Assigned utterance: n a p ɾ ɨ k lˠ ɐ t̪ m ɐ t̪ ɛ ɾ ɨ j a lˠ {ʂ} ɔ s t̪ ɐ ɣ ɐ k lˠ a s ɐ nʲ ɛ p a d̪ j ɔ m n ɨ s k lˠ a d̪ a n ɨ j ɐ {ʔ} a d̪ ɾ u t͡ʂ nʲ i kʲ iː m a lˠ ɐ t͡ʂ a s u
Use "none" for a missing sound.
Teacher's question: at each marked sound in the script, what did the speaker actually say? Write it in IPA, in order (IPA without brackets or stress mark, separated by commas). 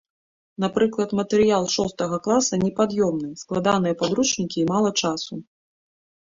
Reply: ʂ, p